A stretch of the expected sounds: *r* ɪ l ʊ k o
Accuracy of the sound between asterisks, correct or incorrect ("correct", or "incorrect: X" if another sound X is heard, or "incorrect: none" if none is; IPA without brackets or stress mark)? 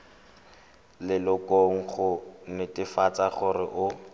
incorrect: l